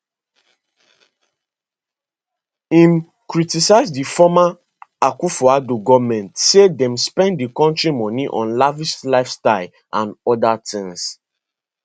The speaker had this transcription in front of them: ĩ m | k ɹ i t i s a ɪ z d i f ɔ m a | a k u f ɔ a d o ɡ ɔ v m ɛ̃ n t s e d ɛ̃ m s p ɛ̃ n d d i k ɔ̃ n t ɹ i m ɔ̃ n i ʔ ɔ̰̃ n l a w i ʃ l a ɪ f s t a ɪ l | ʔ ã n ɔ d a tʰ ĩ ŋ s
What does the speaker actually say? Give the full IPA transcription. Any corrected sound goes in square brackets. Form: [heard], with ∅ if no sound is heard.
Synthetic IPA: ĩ m | k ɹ i t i s a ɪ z d i f ɔ m a | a k u f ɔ a d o ɡ ɔ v m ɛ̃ n t s e d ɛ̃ m s p ɛ̃ n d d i k ɔ̃ n t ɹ i m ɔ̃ n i ʔ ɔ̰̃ n l a [v] i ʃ l a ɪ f s t a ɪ l | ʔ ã n ɔ d a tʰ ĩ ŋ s